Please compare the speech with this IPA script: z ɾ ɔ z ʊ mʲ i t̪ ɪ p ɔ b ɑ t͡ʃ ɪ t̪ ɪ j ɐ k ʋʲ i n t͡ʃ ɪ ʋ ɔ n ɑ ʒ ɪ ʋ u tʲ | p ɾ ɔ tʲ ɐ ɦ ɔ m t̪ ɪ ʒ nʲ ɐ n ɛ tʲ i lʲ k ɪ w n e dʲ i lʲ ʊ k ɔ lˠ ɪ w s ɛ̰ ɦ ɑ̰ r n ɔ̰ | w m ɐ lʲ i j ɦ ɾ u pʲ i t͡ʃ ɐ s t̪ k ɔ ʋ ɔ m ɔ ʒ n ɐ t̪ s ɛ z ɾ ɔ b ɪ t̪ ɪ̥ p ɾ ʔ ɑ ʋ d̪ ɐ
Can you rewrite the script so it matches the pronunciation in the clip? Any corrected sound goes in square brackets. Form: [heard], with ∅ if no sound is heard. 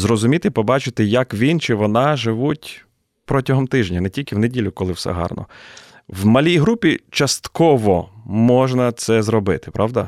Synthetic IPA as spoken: z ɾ ɔ z ʊ mʲ i t̪ ɪ p ɔ b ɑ t͡ʃ ɪ t̪ ɪ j ɐ k ʋʲ i n t͡ʃ ɪ ʋ ɔ n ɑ ʒ ɪ ʋ u tʲ | p ɾ ɔ tʲ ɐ ɦ ɔ m t̪ ɪ ʒ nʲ ɐ n ɛ tʲ i lʲ k ɪ w n e dʲ i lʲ ʊ k ɔ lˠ ɪ w s ɛ̰ ɦ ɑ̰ r n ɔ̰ | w m ɐ lʲ i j ɦ ɾ u pʲ i t͡ʃ ɐ s t̪ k ɔ ʋ ɔ m ɔ ʒ n ɐ t̪ s ɛ z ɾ ɔ b ɪ t̪ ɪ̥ p ɾ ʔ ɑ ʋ d̪ ɐ